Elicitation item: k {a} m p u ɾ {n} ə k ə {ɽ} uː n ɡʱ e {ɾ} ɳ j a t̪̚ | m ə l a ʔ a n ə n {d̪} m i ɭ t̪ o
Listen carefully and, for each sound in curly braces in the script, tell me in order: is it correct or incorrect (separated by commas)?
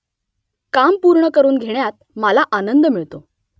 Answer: correct, incorrect, incorrect, incorrect, correct